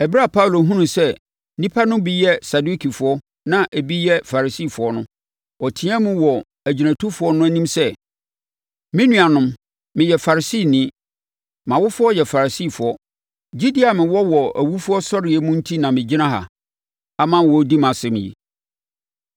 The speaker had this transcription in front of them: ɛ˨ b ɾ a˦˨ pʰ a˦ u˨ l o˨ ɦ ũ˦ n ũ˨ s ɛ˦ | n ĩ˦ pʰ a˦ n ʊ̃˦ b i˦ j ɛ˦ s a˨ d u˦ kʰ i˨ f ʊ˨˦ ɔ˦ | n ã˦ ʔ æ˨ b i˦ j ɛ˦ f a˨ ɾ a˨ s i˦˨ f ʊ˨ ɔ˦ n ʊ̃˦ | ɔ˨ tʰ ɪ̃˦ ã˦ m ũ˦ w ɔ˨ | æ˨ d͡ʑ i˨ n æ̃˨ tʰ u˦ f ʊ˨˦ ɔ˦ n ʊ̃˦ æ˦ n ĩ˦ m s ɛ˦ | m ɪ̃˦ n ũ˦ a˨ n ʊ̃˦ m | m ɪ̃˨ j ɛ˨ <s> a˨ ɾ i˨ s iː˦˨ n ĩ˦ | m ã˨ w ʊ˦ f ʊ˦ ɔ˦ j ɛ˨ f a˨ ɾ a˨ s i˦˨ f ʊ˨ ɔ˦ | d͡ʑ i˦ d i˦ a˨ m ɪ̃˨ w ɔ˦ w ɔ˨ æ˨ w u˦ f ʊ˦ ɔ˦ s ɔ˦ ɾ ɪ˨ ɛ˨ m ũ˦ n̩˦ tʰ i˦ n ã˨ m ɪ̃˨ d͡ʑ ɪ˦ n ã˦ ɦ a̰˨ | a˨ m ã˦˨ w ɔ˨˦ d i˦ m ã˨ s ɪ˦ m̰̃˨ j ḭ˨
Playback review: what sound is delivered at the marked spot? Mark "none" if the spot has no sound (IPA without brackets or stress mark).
f